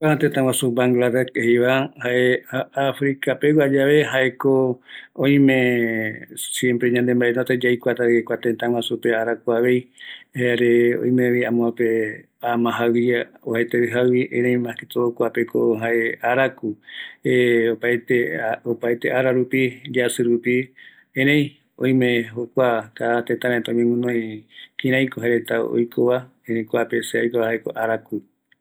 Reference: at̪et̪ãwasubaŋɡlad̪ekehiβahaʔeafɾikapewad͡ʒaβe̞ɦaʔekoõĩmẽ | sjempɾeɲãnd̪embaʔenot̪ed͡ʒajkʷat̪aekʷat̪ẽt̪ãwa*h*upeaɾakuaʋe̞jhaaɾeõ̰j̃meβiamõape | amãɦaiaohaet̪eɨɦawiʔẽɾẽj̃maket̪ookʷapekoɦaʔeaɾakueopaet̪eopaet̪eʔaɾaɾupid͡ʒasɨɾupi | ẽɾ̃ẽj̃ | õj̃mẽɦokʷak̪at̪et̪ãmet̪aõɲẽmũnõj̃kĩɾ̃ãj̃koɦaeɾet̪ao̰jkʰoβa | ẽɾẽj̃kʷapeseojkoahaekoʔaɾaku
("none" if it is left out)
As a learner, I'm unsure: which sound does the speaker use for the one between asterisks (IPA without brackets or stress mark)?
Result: s